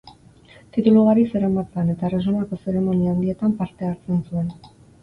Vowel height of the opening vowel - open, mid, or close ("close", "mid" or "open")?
close